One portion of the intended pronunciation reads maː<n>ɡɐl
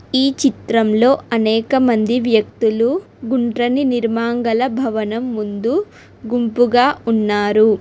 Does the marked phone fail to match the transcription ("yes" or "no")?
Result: yes